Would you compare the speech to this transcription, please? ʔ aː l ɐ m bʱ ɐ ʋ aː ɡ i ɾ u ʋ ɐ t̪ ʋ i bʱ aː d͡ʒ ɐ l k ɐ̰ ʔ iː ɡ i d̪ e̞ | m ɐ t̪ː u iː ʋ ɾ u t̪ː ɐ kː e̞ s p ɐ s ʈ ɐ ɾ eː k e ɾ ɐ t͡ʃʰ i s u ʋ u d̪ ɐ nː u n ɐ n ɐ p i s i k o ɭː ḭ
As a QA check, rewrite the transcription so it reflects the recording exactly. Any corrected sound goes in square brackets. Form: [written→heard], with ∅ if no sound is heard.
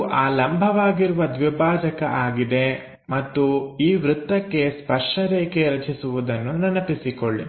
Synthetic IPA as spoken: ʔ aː l ɐ m bʱ ɐ ʋ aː ɡ i ɾ u ʋ ɐ [t̪→d̪] ʋ i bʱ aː d͡ʒ ɐ [l→∅] k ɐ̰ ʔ [iː→aː] ɡ i d̪ e̞ | m ɐ t̪ː u iː ʋ ɾ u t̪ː ɐ kː e̞ s p ɐ [s→ʂ] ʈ ɐ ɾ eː k e ɾ ɐ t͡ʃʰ i s u ʋ u d̪ ɐ nː u n ɐ n ɐ p i s i k o ɭː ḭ